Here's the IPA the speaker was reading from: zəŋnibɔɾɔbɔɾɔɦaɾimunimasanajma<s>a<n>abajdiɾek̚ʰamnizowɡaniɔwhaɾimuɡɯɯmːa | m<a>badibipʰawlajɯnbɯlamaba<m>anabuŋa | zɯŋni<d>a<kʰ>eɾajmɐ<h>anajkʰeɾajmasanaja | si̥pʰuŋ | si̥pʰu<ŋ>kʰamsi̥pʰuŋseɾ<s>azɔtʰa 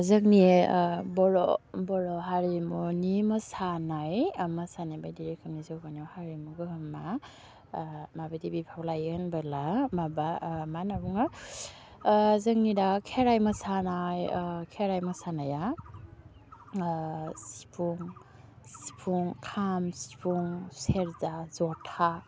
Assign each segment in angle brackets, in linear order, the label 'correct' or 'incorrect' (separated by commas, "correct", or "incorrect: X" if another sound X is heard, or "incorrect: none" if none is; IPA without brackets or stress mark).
correct, correct, correct, correct, correct, correct, incorrect: s, correct, incorrect: z